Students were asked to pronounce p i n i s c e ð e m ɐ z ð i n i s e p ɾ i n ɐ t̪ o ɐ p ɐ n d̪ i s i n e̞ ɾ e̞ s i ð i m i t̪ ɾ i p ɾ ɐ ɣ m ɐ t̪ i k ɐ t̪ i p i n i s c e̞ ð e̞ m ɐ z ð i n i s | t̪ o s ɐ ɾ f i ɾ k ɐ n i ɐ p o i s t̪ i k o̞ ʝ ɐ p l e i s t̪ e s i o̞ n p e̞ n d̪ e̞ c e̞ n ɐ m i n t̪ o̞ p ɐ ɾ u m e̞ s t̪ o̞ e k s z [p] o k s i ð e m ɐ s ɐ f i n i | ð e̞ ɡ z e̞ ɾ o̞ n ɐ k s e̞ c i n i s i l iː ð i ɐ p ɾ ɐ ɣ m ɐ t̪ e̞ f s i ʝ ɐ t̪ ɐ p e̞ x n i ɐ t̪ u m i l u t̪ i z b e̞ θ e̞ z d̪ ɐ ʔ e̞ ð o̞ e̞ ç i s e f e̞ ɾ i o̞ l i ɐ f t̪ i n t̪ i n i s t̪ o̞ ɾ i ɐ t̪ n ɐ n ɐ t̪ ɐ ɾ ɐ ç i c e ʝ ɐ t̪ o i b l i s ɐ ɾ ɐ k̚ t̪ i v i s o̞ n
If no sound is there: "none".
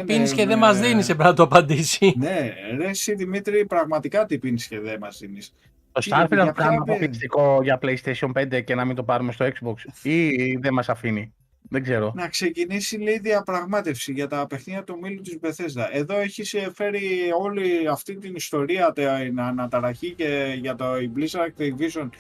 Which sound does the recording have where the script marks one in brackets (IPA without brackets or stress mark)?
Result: b